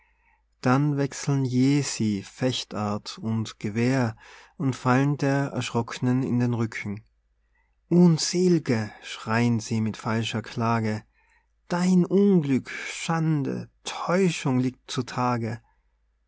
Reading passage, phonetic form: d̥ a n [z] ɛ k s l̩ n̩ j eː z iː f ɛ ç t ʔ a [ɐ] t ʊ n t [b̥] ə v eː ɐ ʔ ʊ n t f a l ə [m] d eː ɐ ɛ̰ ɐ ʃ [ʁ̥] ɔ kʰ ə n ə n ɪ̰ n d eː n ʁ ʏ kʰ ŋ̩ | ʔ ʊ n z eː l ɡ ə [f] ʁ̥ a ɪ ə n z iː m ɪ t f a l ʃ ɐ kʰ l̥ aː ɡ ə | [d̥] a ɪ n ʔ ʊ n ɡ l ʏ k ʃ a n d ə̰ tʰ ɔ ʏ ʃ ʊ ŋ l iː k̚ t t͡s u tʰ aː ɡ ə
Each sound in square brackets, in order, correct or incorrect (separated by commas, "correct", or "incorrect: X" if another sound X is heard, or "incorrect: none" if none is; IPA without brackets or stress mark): incorrect: v, correct, incorrect: ɡ̥, incorrect: n, correct, incorrect: ʃ, correct